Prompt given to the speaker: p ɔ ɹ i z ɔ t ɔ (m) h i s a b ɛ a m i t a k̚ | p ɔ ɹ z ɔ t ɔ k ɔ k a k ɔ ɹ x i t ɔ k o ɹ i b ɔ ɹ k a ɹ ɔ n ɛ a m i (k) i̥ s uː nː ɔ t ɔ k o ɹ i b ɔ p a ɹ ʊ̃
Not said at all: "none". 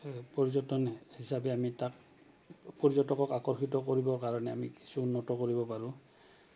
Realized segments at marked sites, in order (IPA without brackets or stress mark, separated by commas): n, k